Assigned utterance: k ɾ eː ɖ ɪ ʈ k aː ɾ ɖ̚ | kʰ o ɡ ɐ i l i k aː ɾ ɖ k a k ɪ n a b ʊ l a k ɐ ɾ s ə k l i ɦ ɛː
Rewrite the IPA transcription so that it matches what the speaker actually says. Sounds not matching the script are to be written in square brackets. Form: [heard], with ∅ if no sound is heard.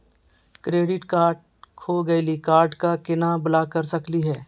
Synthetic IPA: k ɾ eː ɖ ɪ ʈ k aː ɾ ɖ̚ | kʰ o ɡ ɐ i l i k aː ɾ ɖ k a k ɪ n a b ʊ l a k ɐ ɾ s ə k l i ɦ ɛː